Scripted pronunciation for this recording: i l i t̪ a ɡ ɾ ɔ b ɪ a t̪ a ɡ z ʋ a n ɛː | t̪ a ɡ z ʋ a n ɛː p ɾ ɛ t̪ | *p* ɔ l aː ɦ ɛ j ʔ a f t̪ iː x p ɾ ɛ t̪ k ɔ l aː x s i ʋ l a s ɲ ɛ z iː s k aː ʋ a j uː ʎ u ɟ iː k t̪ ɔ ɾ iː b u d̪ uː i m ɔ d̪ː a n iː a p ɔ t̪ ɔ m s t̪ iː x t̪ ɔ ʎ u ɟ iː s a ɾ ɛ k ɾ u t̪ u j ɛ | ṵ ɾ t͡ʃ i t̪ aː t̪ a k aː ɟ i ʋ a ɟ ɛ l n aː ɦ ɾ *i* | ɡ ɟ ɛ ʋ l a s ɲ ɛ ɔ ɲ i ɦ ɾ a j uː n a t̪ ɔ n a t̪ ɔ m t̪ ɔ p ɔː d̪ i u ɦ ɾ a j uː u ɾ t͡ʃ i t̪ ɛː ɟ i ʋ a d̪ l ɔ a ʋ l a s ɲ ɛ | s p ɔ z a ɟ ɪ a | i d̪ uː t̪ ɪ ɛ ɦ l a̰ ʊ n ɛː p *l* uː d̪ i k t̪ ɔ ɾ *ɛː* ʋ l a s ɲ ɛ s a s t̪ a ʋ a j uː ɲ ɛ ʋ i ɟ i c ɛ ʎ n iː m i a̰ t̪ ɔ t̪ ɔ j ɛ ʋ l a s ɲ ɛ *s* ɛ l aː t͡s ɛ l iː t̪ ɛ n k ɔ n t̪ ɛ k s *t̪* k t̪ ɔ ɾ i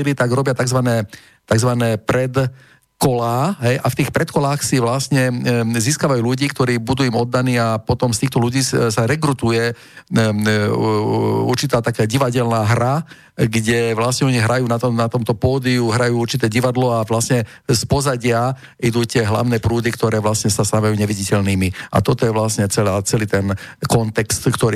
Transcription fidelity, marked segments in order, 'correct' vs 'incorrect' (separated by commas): incorrect, incorrect, incorrect, correct, incorrect, correct